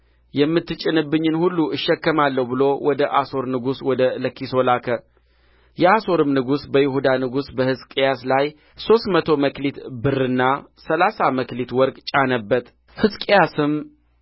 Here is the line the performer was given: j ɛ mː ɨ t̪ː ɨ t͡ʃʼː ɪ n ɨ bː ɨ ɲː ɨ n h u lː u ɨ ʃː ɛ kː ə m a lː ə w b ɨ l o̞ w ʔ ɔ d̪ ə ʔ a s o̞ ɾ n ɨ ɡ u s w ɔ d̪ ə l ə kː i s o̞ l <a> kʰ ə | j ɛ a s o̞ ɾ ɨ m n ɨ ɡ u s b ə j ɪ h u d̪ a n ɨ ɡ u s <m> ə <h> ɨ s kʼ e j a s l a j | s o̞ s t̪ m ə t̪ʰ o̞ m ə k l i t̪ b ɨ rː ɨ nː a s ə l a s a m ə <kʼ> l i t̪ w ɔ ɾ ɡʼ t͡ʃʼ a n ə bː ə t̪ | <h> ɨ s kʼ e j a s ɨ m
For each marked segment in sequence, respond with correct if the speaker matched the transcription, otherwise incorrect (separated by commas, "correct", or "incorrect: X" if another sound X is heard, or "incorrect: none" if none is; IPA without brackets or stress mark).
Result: correct, incorrect: b, correct, incorrect: k, correct